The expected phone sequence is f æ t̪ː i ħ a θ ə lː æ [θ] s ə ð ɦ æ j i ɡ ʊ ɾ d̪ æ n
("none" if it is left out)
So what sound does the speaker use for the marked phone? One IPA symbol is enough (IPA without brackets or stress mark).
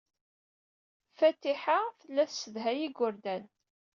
θ